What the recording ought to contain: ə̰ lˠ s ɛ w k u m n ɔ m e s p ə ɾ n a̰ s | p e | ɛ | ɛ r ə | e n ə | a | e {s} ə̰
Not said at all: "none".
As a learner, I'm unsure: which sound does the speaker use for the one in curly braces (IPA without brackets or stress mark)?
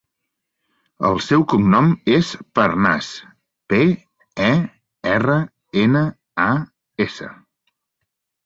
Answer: s